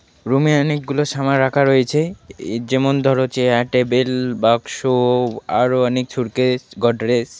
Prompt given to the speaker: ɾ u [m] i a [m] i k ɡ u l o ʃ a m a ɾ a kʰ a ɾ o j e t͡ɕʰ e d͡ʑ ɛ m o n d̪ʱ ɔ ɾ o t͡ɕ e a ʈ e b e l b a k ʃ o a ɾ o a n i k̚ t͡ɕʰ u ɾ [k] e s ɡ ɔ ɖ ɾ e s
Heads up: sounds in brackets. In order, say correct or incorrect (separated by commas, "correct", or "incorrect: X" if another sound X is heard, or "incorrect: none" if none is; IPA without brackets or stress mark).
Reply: correct, incorrect: n, correct